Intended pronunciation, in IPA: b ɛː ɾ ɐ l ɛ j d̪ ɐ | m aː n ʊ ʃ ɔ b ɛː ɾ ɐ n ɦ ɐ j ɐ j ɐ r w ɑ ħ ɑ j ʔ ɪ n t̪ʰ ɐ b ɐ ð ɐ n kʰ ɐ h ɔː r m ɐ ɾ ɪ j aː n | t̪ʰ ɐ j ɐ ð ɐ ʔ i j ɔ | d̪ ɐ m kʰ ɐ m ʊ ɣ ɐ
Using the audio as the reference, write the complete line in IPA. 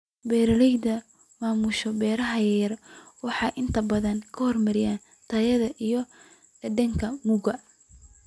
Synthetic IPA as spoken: b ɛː ɾ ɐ l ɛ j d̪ ɐ | m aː m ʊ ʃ ɔ b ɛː ɾ ɐ ɦ ɐ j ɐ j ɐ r w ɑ ħ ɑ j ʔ ɪ n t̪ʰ ɐ b ɐ ð ɐ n kʰ ɐ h ɔ r m ɐ ɾ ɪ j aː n | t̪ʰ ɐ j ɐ ð ɐ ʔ i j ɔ | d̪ ɐ ŋ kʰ ɐ m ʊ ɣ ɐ